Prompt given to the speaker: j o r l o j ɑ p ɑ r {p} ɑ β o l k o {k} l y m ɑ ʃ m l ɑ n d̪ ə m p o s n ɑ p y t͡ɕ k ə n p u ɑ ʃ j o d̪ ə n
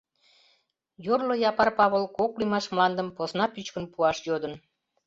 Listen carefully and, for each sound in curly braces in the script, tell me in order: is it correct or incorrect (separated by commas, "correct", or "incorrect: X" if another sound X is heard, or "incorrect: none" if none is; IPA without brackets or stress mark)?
correct, correct